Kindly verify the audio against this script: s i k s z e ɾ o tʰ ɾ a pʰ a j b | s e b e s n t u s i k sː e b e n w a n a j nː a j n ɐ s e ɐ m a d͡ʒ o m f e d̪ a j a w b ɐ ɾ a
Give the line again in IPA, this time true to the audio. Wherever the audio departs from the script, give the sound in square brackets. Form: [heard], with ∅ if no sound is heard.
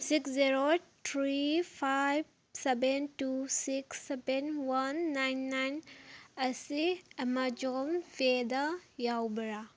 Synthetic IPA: s i k s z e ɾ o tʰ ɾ [i] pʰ a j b | s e b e [∅] n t u s i k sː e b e n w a [nː] a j nː a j n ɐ s [i] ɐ m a d͡ʒ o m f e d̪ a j a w b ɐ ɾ a